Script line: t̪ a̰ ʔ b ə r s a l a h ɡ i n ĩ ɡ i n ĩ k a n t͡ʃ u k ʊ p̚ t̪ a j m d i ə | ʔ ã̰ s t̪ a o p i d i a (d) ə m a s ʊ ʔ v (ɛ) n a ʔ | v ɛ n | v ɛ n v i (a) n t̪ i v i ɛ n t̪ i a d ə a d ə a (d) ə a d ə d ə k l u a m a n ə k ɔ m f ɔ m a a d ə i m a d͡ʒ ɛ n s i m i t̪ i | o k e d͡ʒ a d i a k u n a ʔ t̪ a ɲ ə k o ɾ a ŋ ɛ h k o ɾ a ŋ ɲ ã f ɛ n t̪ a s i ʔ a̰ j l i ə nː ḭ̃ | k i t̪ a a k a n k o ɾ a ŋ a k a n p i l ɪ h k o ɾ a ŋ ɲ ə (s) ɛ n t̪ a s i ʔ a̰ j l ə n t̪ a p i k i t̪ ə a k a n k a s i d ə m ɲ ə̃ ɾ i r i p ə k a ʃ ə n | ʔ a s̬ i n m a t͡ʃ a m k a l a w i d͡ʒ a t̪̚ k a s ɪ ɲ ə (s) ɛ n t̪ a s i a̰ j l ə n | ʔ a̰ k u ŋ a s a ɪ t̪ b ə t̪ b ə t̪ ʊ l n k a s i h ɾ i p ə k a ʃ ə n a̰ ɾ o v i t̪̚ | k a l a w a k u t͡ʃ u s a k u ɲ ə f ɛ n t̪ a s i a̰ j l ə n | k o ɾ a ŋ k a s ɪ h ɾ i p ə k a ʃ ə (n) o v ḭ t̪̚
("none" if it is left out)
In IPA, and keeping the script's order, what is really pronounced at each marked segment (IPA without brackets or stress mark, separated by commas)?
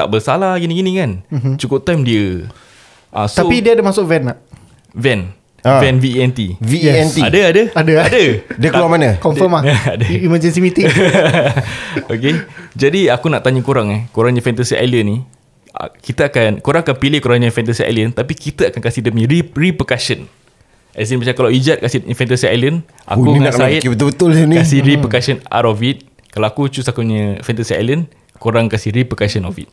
d, ɛ, ɛ, d, f, f, n